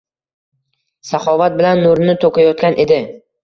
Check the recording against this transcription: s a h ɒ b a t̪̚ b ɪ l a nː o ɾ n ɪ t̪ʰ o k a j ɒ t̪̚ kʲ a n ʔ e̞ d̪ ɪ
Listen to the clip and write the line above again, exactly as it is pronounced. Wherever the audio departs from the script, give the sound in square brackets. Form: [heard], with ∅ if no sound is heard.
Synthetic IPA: s a [χ] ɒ [v] a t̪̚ b ɪ l a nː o ɾ n ɪ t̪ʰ o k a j ɒ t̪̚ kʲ a n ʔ e̞ d̪ ɪ